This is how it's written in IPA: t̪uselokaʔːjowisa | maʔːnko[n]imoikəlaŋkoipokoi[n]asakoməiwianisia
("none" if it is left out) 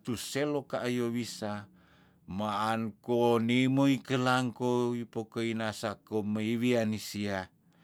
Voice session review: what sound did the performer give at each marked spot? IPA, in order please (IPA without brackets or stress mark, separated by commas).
n, n